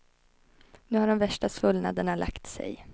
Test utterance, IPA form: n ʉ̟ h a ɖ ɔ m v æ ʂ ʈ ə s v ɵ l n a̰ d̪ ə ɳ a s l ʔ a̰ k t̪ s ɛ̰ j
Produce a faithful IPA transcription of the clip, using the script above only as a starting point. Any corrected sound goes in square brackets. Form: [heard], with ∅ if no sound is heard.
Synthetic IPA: n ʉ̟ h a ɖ ɔ m v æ ʂ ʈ [a] s v ɵ l n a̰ d̪ ə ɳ a [∅] l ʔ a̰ k t̪ s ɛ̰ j